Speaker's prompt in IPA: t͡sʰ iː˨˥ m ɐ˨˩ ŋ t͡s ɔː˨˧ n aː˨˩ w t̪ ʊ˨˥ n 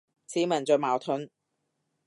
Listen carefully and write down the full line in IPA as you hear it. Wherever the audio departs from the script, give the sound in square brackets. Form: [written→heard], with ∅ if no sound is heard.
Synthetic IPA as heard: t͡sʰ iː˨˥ m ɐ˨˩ [ŋ→n] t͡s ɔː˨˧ [n→m] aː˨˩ w [t̪→t̪ʰ] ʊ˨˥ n